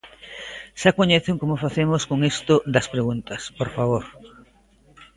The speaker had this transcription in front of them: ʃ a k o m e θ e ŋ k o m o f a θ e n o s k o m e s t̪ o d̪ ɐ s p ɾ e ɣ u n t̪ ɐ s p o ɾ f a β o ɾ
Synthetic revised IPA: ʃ a k o ɲ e θ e ŋ k o m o f a θ e m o s k o ŋ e s t̪ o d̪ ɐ s p ɾ e ɣ u n t̪ ɐ s p o ɾ f a β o ɾ

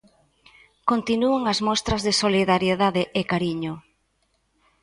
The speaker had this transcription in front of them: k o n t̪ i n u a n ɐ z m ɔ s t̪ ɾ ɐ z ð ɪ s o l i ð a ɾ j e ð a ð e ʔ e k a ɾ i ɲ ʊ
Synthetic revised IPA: k o n t̪ i n u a ŋ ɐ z m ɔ s t̪ ɾ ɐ z ð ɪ s o l i ð a ɾ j e ð a ð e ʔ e k a ɾ i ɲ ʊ

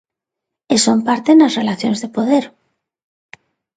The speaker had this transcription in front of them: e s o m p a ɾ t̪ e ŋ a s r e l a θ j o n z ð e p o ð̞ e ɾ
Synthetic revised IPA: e s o m p a ɾ t̪ e n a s r e l a θ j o n z ð e p o ð̞ e ɾ

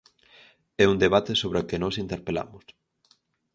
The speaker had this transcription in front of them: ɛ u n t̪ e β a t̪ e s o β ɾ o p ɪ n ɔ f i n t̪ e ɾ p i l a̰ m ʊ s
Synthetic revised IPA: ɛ u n d̪ e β a t̪ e s o β ɾ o k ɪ n ɔ s i n t̪ e ɾ p e l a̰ m ʊ s

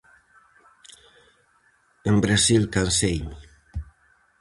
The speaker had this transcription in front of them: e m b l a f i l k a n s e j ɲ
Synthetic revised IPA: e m b ɾ a s i l k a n s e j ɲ

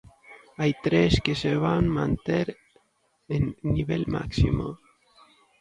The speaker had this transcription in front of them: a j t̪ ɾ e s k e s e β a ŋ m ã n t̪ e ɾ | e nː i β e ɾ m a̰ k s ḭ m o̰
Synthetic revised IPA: a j t̪ ɾ e s k e s e β a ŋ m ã n t̪ e ɾ | e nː i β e l m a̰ k s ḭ m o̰

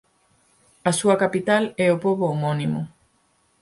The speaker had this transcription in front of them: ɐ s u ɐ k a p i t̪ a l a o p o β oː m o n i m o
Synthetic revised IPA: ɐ s u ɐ k a p i t̪ a l ɛ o p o β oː m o n i m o

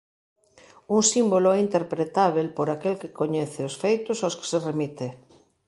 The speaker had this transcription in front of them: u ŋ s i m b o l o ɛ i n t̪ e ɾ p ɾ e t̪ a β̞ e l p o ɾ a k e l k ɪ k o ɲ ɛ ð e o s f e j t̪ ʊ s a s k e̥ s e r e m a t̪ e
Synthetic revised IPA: u ŋ s i m b o l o ɛ i n t̪ e ɾ p ɾ e t̪ a β̞ e l p o ɾ a k e l k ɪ k o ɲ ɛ θ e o s f e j t̪ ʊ s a s k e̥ s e r e m i t̪ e

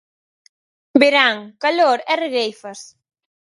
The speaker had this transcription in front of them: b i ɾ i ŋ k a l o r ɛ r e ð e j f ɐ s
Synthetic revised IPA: b e ɾ a ŋ k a l o ɾ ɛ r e ɣ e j f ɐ s

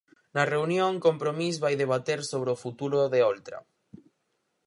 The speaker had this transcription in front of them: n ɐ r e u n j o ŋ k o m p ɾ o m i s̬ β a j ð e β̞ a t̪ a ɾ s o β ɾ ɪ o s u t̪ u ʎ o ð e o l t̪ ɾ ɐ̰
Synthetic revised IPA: n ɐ r e u n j o ŋ k o m p ɾ o m i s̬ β a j ð e β̞ a t̪ e ɾ s o β ɾ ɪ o f u t̪ u ɾ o ð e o l t̪ ɾ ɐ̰

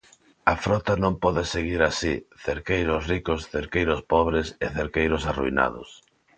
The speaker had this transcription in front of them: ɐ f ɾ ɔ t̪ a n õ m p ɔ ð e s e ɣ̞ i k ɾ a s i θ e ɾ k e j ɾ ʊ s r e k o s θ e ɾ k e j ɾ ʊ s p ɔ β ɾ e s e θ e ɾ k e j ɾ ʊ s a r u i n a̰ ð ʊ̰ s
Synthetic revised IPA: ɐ f ɾ ɔ t̪ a n õ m p ɔ ð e s e ɣ̞ i ɾ a s i θ e ɾ k e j ɾ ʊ s r i k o s θ e ɾ k e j ɾ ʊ s p ɔ β ɾ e s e θ e ɾ k e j ɾ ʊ s a r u i n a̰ ð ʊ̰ s

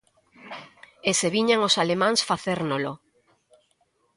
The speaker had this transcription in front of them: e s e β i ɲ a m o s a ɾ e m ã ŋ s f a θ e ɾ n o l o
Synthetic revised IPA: e s e β i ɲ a ŋ o s a l e m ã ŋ s f a θ e ɾ n o l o

